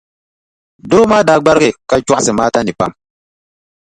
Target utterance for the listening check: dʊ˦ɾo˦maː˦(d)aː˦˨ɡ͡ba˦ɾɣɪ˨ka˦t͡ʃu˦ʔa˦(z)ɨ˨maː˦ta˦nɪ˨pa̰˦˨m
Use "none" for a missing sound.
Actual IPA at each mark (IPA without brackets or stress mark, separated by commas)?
d, s